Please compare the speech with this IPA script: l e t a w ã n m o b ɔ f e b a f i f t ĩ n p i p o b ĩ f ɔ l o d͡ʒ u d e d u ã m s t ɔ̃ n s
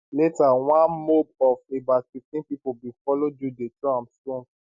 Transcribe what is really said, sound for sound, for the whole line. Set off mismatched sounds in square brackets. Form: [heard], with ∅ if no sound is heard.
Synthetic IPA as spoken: l e t a w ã n m o b ɔ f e b a f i f t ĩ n p i p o b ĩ f ɔ l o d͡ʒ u d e [t] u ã m s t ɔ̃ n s